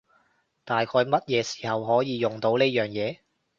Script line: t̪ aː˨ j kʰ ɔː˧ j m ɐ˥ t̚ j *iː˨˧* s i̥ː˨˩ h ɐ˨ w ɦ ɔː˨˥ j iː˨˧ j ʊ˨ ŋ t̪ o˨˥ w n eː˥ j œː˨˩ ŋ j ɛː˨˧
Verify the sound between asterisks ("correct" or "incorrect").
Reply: incorrect